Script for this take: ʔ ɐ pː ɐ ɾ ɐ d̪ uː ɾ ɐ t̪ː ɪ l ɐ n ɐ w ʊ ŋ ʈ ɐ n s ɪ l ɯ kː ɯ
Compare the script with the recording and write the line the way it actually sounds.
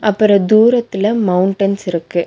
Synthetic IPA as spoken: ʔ ɐ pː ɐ ɾ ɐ d̪ uː ɾ ɐ t̪ː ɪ l ɐ m ɐ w ʊ ɳ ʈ ɐ n s ɪ ɾ ɯ kː ɯ